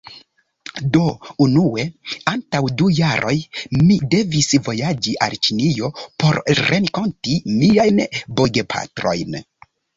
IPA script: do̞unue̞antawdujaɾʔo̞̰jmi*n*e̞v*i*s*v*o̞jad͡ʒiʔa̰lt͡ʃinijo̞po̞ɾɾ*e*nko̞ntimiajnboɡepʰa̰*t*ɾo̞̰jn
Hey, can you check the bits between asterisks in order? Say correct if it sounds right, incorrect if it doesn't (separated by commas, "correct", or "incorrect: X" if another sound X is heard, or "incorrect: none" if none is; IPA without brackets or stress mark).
incorrect: d, correct, correct, correct, correct